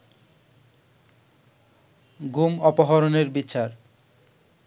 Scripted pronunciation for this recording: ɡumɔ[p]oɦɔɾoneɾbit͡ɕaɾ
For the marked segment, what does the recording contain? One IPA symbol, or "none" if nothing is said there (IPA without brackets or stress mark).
p